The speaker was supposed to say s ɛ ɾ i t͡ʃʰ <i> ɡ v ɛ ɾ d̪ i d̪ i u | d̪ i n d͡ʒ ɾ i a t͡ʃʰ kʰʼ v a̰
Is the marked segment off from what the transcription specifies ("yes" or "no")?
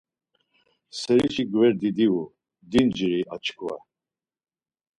no